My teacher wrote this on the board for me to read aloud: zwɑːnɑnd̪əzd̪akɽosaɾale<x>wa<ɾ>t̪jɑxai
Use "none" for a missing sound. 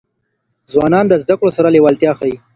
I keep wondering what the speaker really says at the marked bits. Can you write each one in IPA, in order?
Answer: none, l

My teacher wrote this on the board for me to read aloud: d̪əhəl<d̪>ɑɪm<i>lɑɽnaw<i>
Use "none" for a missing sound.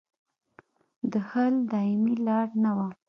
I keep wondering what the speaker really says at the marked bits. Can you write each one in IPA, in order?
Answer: d̪, i, a

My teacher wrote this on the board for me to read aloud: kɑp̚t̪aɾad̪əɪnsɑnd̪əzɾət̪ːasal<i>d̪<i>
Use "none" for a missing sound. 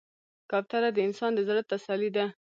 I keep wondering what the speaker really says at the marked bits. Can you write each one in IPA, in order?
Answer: i, a

